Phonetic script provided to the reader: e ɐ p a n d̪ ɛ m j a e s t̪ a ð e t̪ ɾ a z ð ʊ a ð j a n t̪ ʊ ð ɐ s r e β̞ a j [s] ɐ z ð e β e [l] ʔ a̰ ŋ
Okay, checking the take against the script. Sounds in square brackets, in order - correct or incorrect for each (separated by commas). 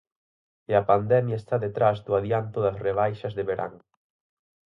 incorrect, incorrect